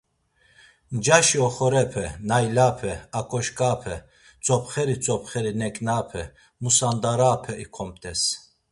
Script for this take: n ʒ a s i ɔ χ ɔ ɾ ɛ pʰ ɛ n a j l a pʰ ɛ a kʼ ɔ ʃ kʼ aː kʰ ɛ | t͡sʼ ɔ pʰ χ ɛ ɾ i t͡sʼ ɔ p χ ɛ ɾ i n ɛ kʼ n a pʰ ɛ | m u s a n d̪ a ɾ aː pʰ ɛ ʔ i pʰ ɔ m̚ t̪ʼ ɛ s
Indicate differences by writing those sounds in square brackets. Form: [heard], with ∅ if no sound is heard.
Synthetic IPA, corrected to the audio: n [d͡ʒ] a [ʃ] i ɔ χ ɔ ɾ ɛ pʰ ɛ n a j l a pʰ ɛ a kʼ ɔ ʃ kʼ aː [pʰ] ɛ | t͡sʼ ɔ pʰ χ ɛ ɾ i t͡sʼ ɔ p χ ɛ ɾ i n ɛ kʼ n a pʰ ɛ | m u s a n d̪ a ɾ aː pʰ ɛ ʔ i [kʰ] ɔ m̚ t̪ʼ ɛ s

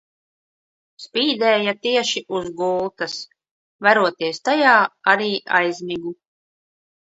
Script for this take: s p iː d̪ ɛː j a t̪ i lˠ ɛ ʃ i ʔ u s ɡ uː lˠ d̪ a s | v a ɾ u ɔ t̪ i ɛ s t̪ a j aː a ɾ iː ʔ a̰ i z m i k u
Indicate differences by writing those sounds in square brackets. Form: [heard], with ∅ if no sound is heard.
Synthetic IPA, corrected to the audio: s p iː d̪ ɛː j a t̪ i [∅] ɛ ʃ i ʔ u [z] ɡ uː lˠ [t̪] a s | v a ɾ u ɔ t̪ i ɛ s t̪ a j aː a ɾ iː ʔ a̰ [j] z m i [ɡ] u

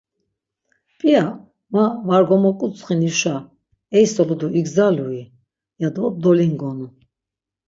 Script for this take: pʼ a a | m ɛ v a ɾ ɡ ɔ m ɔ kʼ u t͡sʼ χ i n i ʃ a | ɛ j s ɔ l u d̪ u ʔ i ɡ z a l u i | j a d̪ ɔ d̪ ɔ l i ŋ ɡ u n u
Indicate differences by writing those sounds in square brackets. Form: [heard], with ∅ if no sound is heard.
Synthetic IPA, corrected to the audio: pʼ [i] a | m [a] v a ɾ ɡ ɔ m ɔ kʼ u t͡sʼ χ i n i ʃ a | ɛ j s ɔ l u d̪ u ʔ i ɡ z a l u i | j a d̪ ɔ d̪ ɔ l i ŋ ɡ [ɔ] n u

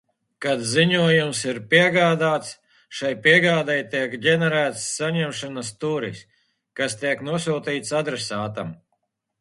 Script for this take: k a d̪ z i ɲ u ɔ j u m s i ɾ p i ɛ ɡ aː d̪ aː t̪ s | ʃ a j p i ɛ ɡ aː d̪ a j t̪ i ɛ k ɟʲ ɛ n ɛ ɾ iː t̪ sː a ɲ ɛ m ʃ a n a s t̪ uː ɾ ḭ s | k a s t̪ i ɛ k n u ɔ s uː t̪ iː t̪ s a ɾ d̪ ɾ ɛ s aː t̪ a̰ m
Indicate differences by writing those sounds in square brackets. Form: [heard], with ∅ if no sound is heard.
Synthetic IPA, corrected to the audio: k a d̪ z i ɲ u ɔ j u m s i ɾ p i ɛ ɡ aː d̪ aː t̪ s | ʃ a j p i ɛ ɡ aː d̪ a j t̪ i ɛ k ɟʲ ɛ n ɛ ɾ [æː] t̪ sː a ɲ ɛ m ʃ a n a s t̪ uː ɾ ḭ s | k a s t̪ i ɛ k n u ɔ s uː t̪ iː t̪ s a [∅] d̪ ɾ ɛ s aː t̪ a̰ m

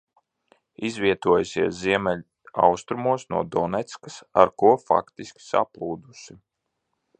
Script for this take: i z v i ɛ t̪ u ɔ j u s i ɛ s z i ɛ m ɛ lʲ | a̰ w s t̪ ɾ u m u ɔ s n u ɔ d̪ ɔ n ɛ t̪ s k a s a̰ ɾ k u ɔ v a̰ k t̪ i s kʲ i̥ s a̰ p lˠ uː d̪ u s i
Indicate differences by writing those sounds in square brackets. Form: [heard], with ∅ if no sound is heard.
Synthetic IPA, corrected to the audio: i z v i ɛ t̪ u ɔ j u s i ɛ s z i ɛ m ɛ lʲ | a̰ w s t̪ ɾ u m u ɔ s n u ɔ d̪ ɔ n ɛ t̪ s k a s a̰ ɾ k u ɔ [f] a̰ k t̪ i s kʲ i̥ s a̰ p lˠ uː d̪ u s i

